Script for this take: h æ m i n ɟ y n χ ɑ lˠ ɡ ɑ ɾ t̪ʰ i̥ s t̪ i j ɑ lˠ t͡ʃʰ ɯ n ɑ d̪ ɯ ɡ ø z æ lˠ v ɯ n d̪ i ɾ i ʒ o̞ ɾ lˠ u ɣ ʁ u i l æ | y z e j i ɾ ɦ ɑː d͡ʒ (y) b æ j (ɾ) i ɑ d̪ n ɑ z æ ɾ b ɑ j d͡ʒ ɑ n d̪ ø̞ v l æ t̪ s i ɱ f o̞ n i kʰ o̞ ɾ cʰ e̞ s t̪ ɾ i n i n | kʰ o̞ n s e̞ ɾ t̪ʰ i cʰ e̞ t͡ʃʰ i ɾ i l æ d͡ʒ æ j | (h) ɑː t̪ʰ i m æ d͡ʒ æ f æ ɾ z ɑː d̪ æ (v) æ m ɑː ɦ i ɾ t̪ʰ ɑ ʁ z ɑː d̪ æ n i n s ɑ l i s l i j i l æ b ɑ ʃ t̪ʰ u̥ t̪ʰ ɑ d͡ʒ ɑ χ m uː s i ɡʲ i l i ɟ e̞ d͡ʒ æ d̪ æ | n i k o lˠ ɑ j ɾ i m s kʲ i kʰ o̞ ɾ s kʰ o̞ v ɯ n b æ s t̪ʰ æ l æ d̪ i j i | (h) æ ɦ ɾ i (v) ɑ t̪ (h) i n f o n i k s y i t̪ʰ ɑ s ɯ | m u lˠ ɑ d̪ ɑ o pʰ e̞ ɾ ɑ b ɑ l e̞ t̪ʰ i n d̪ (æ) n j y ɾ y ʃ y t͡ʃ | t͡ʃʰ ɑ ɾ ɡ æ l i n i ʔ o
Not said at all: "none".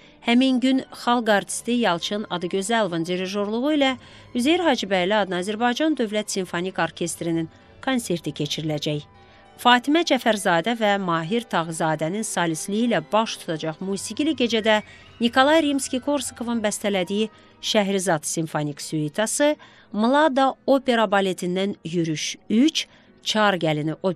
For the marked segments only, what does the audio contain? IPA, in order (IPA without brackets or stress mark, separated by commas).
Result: i, l, f, v, ʃ, z, s, æ